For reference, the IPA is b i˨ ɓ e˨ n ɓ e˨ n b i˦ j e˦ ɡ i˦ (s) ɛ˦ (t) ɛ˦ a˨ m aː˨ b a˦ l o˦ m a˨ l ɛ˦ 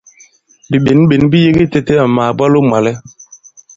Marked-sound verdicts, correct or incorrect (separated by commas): incorrect, correct